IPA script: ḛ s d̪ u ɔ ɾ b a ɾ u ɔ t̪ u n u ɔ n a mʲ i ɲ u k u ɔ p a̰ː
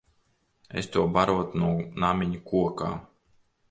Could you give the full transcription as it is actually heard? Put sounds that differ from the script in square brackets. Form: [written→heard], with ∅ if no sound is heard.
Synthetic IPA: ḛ s [d̪→t̪] u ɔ [ɾ→∅] b a ɾ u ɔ t̪ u n u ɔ n a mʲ i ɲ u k u ɔ [p→k] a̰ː